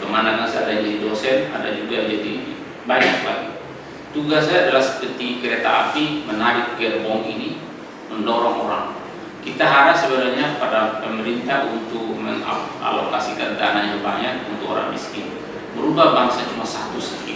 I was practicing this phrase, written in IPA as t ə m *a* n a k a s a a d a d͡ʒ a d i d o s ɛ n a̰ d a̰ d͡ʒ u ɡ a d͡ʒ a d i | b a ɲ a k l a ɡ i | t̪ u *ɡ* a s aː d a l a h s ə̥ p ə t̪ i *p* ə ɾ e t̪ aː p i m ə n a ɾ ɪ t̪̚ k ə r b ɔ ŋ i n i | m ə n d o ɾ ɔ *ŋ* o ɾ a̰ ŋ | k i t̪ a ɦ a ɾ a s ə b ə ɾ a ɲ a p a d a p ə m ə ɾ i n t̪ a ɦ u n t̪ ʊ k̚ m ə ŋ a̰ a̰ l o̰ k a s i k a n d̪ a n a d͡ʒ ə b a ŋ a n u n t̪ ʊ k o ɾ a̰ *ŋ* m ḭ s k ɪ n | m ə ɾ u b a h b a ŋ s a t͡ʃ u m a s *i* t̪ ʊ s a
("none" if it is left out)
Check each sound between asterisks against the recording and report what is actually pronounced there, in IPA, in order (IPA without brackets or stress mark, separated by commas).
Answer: a, ɡ, k, ŋ, ŋ, a